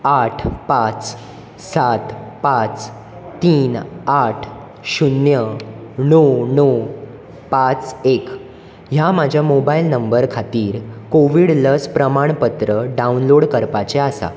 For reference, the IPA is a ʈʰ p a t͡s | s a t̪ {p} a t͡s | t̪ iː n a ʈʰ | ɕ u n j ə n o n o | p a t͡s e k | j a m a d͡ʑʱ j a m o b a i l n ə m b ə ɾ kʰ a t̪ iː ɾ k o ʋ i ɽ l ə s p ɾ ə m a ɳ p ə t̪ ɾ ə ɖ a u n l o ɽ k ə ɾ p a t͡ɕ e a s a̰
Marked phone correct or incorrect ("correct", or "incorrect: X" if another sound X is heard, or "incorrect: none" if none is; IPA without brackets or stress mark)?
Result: correct